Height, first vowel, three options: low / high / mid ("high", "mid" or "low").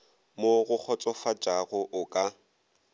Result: mid